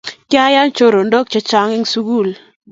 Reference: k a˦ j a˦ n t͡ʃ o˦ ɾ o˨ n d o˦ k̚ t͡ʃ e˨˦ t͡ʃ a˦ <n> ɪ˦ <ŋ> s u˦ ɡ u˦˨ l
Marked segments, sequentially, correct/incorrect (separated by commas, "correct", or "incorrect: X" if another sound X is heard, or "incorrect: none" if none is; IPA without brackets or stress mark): incorrect: ŋ, correct